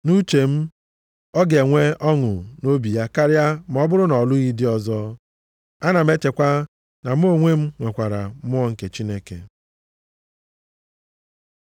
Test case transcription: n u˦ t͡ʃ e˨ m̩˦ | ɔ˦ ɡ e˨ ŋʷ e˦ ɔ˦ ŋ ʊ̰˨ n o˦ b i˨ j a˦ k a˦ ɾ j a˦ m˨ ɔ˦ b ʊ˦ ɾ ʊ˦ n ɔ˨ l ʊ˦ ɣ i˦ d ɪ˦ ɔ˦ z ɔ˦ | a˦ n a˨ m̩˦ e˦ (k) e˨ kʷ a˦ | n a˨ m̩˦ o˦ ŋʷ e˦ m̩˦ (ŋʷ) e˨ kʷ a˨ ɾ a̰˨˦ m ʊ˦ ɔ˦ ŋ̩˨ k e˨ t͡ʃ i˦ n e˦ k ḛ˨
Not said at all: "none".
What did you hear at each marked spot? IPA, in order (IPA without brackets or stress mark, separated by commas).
t, ŋʷ